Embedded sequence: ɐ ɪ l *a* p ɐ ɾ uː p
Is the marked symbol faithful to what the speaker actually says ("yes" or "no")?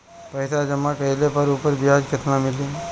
no